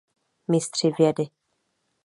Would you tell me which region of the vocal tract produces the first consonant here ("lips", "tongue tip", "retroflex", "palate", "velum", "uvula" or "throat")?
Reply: lips